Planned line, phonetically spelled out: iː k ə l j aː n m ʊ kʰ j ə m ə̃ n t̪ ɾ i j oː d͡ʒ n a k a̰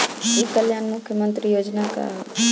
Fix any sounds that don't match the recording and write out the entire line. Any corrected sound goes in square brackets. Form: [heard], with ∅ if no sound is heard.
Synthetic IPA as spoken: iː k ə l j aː n m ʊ kʰ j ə m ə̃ n t̪ ɾ i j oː d͡ʒ n a k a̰